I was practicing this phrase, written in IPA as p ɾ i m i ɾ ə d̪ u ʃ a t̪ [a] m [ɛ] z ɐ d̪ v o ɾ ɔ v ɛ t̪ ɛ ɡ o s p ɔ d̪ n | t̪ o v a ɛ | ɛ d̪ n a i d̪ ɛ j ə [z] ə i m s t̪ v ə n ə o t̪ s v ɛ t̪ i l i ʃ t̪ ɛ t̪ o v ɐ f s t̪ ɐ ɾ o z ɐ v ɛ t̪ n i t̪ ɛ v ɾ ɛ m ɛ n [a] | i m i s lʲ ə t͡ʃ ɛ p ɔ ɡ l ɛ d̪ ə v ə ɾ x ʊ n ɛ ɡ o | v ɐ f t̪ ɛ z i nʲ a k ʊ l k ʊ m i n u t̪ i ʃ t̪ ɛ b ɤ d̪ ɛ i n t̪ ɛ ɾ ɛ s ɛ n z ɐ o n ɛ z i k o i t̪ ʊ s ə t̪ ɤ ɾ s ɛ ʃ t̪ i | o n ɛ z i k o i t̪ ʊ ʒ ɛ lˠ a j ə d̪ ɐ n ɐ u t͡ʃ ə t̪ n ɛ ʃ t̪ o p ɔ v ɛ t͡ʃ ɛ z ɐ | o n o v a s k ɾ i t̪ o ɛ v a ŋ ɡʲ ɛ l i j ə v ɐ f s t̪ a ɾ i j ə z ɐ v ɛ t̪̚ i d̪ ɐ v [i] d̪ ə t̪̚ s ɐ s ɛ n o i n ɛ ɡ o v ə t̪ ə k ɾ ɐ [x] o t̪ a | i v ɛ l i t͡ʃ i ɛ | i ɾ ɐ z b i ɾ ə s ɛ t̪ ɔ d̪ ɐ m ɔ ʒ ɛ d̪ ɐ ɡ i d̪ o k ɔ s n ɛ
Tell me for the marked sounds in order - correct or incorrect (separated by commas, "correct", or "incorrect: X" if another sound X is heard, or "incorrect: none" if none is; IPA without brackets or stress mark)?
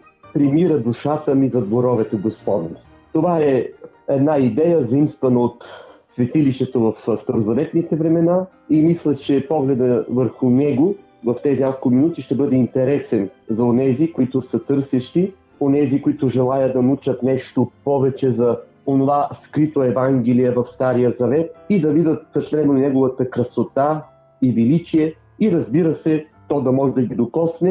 incorrect: ə, incorrect: i, correct, correct, correct, incorrect: s